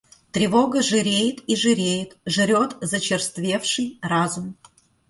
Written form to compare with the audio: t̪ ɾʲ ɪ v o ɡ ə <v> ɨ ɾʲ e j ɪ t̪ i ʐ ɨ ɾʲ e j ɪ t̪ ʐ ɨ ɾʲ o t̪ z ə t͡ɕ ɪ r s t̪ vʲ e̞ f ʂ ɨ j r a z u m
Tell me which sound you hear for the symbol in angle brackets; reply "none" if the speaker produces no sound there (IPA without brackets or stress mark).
ʐ